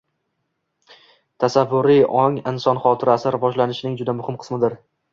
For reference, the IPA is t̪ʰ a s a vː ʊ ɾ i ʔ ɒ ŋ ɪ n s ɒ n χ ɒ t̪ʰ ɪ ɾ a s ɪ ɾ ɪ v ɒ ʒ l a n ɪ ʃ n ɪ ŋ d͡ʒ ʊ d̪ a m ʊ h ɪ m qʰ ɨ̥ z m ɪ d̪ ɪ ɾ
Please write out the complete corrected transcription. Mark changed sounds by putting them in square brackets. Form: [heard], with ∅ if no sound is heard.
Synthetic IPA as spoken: t̪ʰ a s a vː ʊ ɾ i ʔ ɒ ŋ ɪ n s ɒ n χ ɒ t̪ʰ ɪ ɾ a s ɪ ɾ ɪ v ɒ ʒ l a n ɪ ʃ n ɪ ŋ d͡ʒ ʊ d̪ a m ʊ h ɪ m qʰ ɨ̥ [s] m ɪ d̪ ɪ ɾ